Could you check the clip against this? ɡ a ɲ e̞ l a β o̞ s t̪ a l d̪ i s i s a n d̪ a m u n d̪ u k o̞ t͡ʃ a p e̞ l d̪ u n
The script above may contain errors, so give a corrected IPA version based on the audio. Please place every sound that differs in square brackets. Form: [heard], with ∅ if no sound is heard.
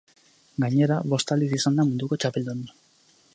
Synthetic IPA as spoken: ɡ a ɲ e̞ [ɾ] a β o̞ s t̪ a l d̪ i s i s a n d̪ a m u n d̪ u k o̞ t͡ʃ a p e̞ l d̪ u n